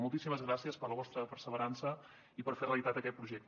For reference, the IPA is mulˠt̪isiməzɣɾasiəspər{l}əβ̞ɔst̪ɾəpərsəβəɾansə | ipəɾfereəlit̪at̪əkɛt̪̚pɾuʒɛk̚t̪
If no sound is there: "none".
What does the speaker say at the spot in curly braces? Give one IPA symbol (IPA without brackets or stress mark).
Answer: l